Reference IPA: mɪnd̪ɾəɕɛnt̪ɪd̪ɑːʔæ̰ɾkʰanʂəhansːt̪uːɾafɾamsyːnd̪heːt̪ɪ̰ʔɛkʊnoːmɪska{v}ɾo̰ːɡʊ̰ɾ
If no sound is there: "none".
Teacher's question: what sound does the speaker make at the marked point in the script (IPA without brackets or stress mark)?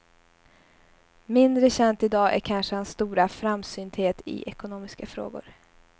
f